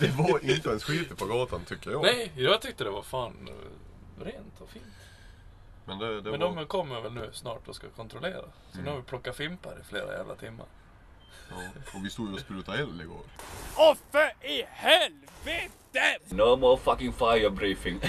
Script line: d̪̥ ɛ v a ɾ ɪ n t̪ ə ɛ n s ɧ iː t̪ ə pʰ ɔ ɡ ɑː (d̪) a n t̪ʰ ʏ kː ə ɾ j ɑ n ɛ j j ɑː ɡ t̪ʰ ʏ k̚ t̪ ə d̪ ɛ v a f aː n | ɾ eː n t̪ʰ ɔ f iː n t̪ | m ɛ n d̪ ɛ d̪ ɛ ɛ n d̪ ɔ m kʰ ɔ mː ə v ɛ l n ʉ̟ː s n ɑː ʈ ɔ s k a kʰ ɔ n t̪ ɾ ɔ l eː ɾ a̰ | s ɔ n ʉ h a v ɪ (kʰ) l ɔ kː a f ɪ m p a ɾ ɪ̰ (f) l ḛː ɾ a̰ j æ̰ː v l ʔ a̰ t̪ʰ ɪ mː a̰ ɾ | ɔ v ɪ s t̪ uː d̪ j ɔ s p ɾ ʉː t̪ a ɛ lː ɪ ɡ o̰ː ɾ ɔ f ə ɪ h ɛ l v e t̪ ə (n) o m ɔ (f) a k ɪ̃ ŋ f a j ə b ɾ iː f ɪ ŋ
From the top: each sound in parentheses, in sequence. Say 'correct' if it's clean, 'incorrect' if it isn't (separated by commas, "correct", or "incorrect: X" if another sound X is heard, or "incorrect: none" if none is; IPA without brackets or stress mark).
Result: incorrect: t̪, incorrect: pʰ, correct, correct, correct